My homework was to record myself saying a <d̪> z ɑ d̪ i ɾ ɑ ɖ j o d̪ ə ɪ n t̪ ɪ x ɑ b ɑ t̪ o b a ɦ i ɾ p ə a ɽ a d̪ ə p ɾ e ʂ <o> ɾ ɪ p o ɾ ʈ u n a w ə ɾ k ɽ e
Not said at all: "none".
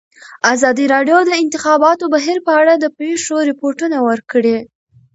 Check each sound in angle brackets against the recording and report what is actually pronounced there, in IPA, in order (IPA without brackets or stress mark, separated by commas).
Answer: none, o